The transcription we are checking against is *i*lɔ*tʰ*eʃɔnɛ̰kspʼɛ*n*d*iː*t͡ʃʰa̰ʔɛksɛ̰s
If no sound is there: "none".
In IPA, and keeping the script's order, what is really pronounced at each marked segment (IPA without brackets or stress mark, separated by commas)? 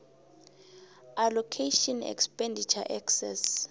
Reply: a, kʰ, n, i